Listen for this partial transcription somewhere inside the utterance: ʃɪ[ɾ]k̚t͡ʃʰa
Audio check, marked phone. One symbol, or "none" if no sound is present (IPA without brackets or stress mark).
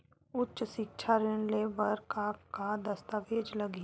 none